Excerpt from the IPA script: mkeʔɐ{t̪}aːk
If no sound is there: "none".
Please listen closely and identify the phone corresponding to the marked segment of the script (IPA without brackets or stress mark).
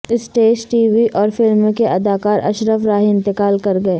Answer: d̪